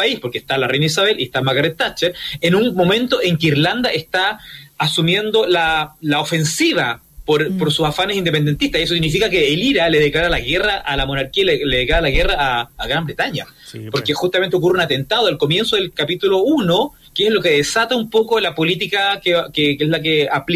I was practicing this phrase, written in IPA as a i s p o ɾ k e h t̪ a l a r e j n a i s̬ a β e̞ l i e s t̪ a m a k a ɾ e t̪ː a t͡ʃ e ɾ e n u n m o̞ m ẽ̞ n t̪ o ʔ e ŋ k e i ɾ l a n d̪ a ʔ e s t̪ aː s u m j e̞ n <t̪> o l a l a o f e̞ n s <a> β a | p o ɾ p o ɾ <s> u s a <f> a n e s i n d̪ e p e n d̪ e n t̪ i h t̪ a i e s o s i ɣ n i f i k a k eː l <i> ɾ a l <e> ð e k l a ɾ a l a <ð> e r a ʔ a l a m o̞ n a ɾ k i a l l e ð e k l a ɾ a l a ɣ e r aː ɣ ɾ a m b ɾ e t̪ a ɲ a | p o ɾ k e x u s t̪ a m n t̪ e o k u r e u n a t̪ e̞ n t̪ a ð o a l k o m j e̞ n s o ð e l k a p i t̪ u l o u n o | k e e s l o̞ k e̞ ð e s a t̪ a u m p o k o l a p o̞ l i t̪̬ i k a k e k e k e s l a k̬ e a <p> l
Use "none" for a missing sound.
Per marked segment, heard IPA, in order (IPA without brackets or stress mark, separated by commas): d̪, i, s, f, i, e, ɣ, p